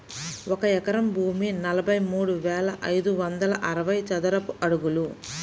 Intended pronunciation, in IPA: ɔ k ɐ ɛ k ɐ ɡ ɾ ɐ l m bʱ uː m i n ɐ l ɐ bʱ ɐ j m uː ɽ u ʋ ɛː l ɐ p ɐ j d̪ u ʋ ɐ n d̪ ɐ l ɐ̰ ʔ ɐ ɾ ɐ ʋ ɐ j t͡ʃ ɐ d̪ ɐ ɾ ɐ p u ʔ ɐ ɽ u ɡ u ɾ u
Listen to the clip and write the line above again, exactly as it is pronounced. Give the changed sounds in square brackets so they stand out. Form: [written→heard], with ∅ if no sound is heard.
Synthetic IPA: ɔ k ɐ ɛ k ɐ [ɡ→∅] ɾ ɐ [l→∅] m bʱ uː m i n ɐ l ɐ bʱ ɐ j m uː ɽ u ʋ ɛː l ɐ [p→ʔ] ɐ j d̪ u ʋ ɐ n d̪ ɐ l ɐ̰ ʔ ɐ ɾ ɐ ʋ ɐ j t͡ʃ ɐ d̪ ɐ ɾ ɐ p u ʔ ɐ ɽ u ɡ u [ɾ→l] u